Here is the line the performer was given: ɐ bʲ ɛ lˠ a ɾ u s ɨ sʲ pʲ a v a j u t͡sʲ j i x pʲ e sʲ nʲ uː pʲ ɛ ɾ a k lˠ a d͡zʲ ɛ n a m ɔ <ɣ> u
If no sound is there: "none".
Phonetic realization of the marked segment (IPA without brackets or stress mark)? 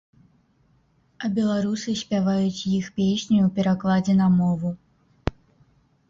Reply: v